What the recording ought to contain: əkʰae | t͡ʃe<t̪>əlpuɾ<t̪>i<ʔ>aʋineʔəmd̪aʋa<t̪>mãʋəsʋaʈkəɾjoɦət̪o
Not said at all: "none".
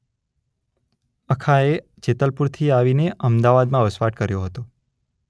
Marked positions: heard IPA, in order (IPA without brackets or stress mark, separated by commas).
t̪, t̪ʰ, none, d̪